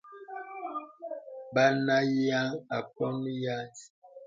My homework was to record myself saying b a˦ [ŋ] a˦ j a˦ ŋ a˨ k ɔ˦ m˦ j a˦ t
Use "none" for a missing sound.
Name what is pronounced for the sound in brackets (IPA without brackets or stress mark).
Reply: n